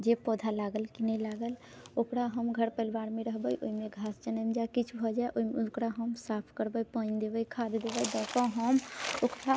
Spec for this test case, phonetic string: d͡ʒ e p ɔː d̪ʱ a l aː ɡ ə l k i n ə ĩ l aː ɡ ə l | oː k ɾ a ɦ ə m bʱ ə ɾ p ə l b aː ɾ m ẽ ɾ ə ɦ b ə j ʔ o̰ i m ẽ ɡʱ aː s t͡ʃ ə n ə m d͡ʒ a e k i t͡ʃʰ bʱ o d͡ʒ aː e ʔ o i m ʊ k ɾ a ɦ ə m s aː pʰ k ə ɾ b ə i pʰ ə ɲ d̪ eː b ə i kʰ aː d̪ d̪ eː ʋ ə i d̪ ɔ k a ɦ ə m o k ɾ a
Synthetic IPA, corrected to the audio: d͡ʒ e p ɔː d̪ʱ a l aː ɡ ə l k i n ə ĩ l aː ɡ ə l | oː k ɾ a ɦ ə m ɡʱ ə ɾ p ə l b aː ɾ m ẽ ɾ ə ɦ b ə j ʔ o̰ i m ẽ ɡʱ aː s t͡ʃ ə n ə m d͡ʒ a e k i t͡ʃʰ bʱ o d͡ʒ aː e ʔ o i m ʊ k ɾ a ɦ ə m s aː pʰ k ə ɾ b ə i p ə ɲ d̪ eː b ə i kʰ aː d̪ d̪ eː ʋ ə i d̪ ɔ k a ɦ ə m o k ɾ a